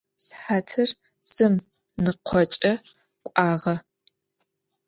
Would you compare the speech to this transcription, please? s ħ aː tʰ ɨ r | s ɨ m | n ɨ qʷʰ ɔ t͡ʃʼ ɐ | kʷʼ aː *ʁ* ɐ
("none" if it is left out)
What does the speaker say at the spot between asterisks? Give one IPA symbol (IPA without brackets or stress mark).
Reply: ʁ